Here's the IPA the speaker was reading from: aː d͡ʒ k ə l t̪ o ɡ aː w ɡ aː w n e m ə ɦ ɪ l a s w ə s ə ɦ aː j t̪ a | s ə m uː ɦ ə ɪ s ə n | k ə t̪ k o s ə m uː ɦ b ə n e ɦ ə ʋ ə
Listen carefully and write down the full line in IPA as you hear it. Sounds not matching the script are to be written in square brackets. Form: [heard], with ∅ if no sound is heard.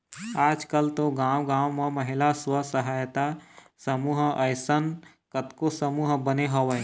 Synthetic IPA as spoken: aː d͡ʒ k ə l t̪ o ɡ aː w ɡ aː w [m] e m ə ɦ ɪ l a s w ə s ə ɦ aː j t̪ a | s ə m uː ɦ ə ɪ s ə n | k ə t̪ k o s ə m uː ɦ b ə n e ɦ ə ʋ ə